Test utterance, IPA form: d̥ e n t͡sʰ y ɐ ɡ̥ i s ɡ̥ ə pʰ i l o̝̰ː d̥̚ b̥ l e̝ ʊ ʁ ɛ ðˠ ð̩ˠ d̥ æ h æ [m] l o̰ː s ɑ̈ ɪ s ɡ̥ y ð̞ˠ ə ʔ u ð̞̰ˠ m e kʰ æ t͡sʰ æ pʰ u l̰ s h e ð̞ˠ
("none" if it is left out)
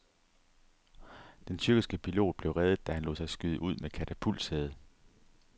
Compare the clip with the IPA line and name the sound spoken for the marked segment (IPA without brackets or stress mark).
n